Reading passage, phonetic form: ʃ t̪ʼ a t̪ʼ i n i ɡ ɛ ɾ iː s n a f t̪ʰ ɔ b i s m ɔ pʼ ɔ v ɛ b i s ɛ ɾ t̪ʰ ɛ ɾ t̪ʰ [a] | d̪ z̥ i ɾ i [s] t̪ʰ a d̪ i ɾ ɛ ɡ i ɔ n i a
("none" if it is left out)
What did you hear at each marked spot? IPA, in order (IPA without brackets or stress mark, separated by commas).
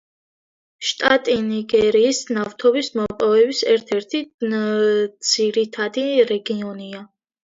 i, none